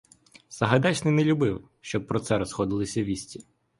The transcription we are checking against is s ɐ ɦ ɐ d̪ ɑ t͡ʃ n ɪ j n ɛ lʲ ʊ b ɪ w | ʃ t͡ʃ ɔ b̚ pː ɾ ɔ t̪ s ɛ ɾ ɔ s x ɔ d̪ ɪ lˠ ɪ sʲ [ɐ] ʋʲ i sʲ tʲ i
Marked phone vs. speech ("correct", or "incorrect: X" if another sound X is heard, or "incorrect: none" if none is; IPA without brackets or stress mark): correct